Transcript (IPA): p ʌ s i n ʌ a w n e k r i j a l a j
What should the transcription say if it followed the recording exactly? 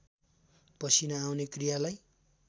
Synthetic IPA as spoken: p ʌ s i n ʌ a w n e k r i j a l a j